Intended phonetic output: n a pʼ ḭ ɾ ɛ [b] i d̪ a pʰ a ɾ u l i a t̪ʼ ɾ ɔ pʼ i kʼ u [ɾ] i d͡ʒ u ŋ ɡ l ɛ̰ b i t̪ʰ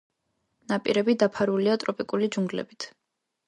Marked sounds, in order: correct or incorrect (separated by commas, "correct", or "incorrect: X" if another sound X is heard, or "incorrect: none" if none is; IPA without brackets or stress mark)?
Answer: correct, incorrect: l